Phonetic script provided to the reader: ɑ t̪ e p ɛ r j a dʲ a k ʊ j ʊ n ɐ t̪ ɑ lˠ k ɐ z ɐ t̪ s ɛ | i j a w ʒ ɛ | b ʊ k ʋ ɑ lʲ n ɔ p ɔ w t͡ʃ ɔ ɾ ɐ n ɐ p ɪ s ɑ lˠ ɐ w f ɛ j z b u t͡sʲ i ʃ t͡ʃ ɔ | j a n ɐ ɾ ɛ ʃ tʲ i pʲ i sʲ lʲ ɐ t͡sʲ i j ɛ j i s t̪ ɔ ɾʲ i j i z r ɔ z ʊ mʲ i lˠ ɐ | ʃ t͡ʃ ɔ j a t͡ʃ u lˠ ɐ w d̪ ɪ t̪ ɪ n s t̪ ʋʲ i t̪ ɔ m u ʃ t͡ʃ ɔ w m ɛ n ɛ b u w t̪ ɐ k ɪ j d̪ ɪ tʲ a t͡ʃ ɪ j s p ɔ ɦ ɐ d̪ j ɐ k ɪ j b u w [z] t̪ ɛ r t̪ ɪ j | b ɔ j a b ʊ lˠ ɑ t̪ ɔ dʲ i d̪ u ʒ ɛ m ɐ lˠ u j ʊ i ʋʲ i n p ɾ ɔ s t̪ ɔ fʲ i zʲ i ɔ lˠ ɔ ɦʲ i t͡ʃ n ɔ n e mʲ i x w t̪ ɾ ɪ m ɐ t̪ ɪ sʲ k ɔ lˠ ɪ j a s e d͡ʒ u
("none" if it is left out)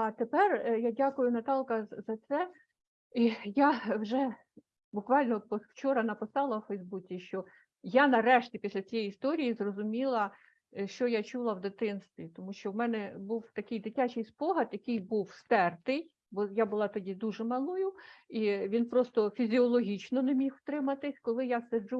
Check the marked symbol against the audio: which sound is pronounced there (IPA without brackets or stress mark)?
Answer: s